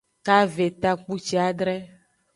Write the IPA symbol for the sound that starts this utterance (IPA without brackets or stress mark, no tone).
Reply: k